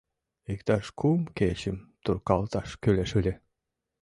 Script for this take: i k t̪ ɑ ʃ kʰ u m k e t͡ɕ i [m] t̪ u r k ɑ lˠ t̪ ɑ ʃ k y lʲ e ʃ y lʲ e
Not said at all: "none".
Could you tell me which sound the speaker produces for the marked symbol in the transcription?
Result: m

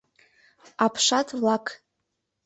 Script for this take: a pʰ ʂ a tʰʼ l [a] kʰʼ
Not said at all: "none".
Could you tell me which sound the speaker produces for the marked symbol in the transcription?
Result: a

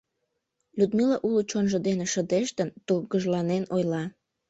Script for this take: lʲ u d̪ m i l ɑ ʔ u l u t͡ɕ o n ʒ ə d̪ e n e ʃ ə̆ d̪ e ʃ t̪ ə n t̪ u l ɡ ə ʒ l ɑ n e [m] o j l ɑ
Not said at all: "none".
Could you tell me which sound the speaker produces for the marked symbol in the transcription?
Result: n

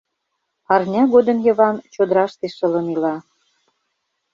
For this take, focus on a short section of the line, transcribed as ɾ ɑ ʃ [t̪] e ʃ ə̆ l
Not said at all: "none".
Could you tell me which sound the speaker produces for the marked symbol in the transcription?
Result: t̪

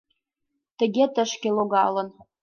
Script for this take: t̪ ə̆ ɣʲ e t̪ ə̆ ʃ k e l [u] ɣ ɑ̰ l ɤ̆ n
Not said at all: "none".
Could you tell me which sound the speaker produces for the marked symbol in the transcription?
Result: o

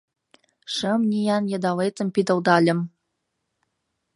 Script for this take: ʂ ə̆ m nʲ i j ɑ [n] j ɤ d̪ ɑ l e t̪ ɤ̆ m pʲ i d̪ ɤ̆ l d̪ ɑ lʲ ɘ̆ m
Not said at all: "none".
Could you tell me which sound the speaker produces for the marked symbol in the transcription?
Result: n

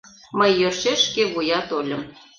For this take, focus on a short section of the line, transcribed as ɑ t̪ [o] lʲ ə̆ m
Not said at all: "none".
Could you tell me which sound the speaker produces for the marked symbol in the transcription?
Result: o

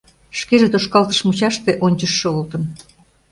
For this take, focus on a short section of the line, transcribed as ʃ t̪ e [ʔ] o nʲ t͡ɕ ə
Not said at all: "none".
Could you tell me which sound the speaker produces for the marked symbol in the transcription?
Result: ʔ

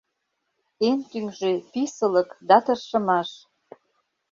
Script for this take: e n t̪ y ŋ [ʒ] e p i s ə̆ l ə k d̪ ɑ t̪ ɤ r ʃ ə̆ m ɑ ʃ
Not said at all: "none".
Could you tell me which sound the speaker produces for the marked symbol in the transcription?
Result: ʒ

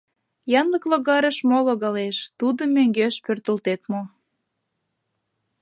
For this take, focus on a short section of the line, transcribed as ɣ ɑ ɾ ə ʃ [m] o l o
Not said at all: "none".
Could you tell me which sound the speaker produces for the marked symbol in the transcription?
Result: m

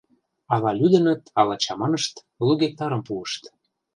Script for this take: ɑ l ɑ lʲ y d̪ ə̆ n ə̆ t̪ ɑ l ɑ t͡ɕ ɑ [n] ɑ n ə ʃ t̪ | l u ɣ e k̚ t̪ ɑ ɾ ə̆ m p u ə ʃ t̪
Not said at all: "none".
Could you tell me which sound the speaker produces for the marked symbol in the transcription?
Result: m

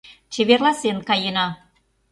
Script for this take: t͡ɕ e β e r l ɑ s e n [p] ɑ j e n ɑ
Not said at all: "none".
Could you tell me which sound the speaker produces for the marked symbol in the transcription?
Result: k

